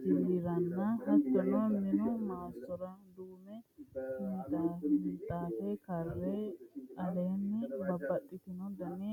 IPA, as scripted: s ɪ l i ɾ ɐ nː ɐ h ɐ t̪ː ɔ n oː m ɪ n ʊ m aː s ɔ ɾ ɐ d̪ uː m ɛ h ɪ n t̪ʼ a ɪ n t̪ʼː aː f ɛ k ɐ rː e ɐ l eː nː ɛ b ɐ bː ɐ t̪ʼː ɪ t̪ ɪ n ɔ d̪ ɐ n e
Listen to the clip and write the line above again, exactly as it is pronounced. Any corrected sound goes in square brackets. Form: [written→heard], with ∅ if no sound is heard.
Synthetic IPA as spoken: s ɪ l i ɾ ɐ nː ɐ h ɐ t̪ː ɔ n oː m ɪ n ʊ m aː s ɔ ɾ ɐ d̪ uː m ɛ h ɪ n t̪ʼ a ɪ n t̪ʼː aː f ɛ k ɐ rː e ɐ l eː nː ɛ b ɐ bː ɐ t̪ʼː ɪ t̪ ɪ n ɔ d̪ ɐ n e